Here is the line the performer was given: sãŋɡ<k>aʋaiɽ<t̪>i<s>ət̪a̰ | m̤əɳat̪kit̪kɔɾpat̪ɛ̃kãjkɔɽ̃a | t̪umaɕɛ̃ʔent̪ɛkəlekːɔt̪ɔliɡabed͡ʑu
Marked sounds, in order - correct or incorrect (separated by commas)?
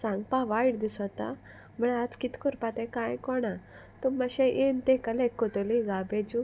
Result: incorrect, incorrect, correct